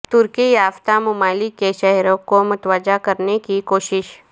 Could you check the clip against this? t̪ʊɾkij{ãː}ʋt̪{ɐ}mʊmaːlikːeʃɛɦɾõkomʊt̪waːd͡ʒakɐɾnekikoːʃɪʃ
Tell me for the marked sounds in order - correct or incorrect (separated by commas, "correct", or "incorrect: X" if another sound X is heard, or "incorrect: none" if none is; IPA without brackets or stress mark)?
incorrect: aː, incorrect: a